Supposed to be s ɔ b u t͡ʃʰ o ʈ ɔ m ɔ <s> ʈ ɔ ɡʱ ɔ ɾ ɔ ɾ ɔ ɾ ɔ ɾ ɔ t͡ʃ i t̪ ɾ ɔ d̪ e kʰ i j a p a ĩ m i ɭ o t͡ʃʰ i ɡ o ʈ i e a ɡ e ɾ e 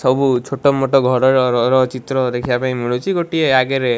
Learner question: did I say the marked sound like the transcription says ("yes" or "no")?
no